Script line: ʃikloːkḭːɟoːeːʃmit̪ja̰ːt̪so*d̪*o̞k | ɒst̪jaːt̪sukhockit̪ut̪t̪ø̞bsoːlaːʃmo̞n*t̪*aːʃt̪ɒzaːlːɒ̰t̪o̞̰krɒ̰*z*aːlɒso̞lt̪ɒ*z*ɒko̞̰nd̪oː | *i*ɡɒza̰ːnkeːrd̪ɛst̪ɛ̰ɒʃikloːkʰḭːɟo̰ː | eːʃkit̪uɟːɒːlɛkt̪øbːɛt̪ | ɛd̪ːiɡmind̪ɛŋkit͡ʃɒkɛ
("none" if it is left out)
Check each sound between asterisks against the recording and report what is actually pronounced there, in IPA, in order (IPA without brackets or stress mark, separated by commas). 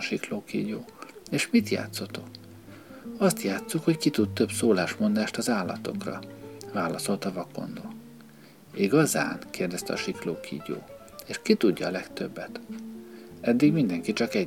t̪, d̪, v, v, i